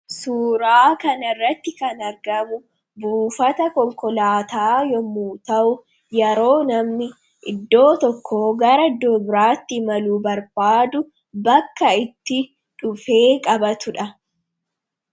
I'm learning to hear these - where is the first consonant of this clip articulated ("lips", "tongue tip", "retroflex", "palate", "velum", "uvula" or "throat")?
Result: tongue tip